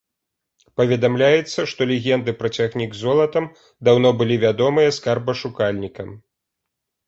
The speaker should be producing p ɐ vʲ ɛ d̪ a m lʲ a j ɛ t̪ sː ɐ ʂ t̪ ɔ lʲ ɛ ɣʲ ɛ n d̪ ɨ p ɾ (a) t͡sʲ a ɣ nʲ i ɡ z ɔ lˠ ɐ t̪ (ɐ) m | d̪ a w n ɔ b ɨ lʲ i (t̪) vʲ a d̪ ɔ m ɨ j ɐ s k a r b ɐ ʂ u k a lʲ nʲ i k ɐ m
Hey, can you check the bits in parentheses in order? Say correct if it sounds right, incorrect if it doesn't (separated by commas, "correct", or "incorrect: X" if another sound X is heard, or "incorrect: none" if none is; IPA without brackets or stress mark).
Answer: incorrect: ɐ, correct, incorrect: none